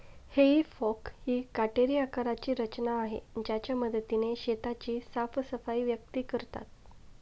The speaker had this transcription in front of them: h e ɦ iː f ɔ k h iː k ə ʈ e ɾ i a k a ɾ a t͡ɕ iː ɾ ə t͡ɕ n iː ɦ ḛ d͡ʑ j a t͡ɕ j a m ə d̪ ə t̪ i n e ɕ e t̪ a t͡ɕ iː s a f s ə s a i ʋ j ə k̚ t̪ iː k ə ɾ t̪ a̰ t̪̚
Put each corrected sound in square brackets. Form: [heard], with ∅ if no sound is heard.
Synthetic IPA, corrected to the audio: h e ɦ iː f ɔ k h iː k [a] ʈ e ɾ i a k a ɾ a t͡ɕ iː ɾ ə t͡ɕ n [aː] ɦ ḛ d͡ʑ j a t͡ɕ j a m ə d̪ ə t̪ i n e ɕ e t̪ a t͡ɕ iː s a f s ə [f] a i ʋ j ə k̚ t̪ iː k ə ɾ t̪ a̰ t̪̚